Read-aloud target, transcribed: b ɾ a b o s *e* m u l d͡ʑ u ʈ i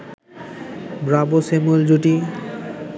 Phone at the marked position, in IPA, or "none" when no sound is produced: e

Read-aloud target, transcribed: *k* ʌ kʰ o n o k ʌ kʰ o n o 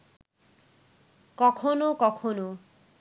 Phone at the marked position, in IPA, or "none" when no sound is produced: k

